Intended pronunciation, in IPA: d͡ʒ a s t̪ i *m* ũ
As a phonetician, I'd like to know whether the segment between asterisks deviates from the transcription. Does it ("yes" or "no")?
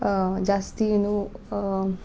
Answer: yes